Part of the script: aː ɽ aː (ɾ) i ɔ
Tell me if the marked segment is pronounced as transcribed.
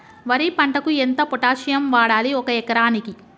no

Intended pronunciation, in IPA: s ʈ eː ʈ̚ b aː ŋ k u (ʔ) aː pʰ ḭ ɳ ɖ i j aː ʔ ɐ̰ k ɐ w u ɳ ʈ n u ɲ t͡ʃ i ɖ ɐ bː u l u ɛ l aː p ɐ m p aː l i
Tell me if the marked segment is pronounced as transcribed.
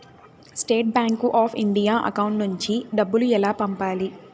yes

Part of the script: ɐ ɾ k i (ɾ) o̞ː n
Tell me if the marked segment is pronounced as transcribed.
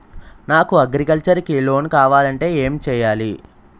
no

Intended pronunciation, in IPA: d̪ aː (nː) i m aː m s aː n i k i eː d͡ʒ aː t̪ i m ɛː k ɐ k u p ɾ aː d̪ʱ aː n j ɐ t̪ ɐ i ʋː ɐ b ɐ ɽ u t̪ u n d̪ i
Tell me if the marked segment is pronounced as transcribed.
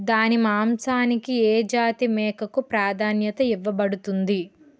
no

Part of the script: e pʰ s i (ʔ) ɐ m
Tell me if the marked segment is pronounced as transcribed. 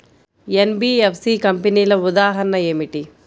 no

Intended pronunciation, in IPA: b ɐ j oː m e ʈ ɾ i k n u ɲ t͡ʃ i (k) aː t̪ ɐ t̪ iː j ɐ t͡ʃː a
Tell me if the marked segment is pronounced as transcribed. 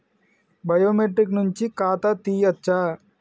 yes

